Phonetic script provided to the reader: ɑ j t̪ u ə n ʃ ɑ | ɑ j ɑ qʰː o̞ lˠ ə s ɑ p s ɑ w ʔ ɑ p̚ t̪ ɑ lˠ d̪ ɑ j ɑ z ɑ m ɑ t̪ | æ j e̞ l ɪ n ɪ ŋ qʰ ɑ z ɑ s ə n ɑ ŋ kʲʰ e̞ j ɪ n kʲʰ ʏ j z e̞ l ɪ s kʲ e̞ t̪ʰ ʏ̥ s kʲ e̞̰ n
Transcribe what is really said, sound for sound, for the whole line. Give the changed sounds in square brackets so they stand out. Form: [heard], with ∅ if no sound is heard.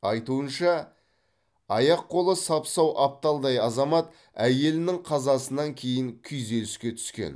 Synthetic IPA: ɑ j t̪ u ə n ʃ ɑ | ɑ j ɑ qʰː o̞ lˠ ə s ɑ p s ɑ w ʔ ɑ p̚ t̪ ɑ lˠ d̪ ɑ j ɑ z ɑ m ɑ t̪ | æ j e̞ l ɪ n ɪ ŋ qʰ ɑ z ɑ s ə n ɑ ŋ kʲʰ e̞ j ɪ [ŋ] kʲʰ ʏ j z e̞ l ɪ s kʲ e̞ t̪ʰ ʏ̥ s kʲ e̞̰ n